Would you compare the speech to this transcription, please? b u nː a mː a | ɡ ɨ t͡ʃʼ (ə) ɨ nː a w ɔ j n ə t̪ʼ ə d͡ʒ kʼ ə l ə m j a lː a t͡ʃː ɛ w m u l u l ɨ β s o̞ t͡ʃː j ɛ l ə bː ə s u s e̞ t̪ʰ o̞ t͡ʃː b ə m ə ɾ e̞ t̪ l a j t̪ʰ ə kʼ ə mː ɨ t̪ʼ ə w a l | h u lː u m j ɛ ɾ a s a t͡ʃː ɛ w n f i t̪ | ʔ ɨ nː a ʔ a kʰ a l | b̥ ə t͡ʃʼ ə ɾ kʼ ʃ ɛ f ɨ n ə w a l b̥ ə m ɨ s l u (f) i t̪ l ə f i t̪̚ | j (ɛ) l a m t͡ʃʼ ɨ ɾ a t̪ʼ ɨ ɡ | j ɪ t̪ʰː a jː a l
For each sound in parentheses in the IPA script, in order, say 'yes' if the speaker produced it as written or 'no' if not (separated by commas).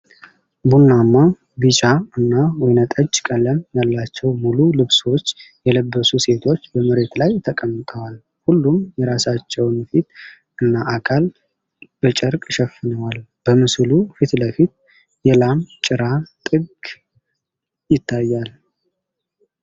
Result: no, yes, yes